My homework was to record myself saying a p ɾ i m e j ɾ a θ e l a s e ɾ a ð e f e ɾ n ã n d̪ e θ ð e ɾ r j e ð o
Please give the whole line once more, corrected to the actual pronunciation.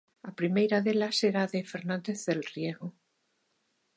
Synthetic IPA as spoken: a p ɾ i m e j ɾ a ð e l a s e ɾ a ð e f e ɾ n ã n d̪ e θ ð e l r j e ɣ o